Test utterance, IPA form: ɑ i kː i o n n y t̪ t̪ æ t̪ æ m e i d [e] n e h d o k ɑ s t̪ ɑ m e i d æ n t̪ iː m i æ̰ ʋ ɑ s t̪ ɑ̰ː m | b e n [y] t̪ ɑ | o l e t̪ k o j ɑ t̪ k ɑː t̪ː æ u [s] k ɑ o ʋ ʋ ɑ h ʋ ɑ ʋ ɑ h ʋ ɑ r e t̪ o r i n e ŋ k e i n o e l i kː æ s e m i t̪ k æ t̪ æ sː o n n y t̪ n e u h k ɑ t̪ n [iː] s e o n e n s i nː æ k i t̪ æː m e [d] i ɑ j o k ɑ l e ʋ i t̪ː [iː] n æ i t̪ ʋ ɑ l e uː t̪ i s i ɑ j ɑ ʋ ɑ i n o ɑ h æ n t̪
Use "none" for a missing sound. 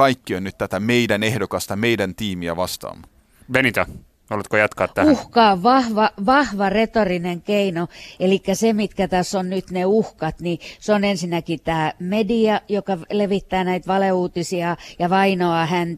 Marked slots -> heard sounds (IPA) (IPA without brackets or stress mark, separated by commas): æ, i, h, i, d, æː